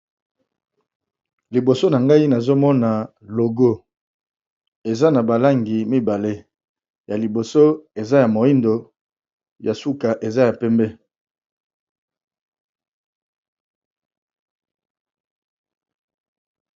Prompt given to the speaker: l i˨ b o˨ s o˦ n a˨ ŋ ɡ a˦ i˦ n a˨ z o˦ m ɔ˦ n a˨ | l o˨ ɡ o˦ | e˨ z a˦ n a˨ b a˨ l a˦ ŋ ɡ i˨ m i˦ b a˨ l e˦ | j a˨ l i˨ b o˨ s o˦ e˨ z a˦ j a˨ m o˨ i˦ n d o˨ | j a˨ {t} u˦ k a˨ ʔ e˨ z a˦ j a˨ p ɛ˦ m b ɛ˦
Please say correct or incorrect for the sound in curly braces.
incorrect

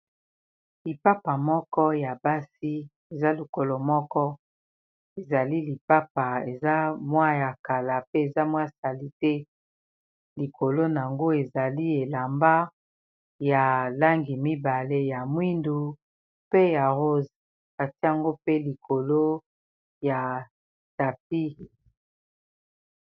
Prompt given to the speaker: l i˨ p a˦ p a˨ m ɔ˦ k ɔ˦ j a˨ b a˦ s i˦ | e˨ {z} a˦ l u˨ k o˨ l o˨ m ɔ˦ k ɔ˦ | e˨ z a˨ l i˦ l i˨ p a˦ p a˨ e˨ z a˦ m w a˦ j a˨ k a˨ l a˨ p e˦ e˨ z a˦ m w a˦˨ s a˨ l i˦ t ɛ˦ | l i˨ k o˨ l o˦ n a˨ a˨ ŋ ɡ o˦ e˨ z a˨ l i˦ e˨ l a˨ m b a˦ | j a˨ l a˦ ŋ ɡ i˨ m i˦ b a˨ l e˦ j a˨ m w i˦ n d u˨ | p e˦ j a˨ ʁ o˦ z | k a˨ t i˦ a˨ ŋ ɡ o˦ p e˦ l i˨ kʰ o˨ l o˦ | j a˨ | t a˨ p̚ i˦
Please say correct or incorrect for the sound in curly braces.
correct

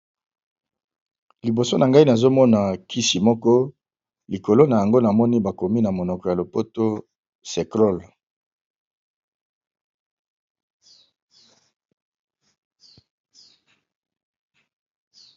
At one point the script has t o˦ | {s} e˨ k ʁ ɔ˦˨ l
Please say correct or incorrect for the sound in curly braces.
correct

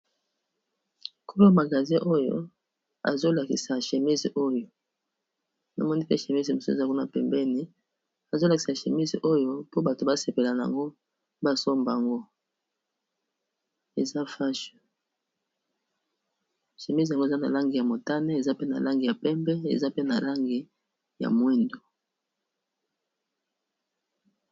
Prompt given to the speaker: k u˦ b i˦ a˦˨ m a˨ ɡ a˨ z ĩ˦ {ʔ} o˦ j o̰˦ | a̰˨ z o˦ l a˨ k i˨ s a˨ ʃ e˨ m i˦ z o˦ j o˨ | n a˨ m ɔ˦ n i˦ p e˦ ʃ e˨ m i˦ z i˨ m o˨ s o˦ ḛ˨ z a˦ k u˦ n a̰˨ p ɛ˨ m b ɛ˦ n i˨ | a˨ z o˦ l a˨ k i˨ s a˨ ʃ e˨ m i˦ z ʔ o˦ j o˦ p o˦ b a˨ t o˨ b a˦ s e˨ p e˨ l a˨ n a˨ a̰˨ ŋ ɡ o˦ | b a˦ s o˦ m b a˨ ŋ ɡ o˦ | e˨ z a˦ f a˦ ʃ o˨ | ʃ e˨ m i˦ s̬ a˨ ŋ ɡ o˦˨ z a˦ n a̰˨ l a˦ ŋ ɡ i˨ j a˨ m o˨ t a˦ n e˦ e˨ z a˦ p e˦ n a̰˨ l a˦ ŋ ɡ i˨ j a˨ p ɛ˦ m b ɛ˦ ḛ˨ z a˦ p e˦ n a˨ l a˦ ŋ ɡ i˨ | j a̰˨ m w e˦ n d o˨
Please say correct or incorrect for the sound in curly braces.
correct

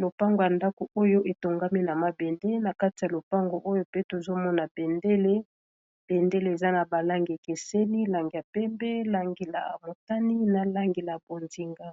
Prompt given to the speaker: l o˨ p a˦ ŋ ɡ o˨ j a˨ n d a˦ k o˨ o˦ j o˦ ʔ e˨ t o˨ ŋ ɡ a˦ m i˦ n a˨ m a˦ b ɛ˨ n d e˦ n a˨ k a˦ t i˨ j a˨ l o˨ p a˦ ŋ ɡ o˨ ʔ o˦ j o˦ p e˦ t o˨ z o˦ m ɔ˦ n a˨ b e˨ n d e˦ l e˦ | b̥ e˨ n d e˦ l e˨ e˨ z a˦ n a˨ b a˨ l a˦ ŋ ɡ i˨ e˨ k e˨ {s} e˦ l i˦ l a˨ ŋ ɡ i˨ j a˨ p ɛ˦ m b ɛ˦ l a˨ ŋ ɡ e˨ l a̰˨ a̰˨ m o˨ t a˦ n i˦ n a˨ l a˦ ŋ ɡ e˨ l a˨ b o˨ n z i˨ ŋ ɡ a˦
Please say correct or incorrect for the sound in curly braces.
correct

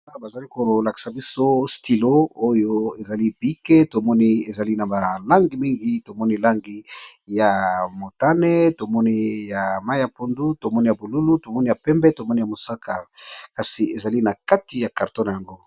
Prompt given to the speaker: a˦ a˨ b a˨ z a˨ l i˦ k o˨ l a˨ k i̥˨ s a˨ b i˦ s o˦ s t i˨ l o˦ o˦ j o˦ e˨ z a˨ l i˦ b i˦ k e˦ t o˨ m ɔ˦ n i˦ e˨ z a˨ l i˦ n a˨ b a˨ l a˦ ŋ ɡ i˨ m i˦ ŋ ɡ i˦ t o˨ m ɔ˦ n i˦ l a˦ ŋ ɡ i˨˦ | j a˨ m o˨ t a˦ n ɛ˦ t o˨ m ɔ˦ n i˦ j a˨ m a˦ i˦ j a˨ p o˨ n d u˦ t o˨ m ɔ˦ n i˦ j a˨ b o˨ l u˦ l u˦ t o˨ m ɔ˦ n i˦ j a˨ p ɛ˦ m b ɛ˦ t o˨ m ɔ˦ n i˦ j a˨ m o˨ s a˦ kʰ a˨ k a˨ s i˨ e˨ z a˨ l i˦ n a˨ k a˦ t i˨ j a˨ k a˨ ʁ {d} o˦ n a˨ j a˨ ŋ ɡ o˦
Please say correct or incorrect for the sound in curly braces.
incorrect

